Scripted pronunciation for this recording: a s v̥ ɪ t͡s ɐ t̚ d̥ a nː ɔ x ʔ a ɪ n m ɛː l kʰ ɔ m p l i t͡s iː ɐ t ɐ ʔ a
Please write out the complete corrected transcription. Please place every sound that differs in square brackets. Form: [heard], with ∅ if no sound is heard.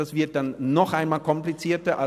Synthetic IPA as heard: a s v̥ ɪ [∅] ɐ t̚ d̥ a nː ɔ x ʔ a ɪ n m [aː] l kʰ ɔ m p l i t͡s iː ɐ t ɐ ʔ a